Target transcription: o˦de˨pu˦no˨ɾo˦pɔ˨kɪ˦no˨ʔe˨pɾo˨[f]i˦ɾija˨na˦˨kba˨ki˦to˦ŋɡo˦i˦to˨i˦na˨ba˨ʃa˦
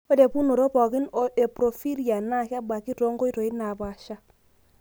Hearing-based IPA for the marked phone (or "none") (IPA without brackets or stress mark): f